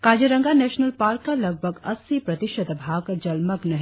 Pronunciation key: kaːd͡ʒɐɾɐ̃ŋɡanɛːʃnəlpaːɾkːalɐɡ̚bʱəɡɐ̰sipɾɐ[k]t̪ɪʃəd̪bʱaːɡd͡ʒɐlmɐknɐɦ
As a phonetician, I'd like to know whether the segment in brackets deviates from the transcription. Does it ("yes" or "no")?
yes